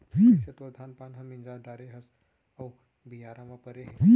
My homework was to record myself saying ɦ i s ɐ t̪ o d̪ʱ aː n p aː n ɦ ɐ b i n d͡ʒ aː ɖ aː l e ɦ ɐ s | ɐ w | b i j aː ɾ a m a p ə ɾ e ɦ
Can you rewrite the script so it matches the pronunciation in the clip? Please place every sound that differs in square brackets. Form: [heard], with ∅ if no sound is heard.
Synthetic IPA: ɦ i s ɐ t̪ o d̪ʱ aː n p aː n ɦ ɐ [m] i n d͡ʒ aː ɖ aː [ɾ] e ɦ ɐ s | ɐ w | b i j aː ɾ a m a p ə ɾ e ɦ